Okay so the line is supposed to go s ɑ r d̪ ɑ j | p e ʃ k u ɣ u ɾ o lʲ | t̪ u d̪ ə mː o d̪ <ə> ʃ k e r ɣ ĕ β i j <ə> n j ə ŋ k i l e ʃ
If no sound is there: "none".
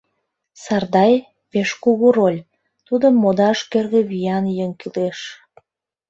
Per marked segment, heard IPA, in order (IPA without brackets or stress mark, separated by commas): ɑ, ɑ